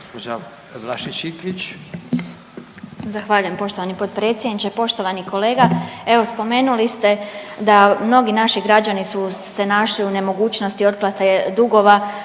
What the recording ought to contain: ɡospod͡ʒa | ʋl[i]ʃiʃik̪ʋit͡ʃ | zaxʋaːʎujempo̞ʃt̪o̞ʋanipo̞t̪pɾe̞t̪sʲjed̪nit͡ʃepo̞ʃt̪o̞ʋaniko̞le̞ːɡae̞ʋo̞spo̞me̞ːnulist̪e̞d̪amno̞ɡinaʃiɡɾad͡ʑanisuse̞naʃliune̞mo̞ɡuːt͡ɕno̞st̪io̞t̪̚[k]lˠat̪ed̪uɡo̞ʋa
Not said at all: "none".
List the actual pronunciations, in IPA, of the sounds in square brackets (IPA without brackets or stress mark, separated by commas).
a, p